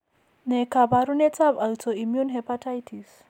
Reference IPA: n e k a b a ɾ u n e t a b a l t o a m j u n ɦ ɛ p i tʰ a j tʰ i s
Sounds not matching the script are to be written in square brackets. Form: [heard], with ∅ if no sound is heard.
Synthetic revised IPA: n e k a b a ɾ u n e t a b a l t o [i] m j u n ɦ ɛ p [a] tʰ a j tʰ i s